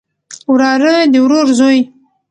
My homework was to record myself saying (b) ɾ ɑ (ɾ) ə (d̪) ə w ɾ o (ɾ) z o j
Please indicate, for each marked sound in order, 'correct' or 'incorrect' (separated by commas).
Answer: incorrect, correct, correct, correct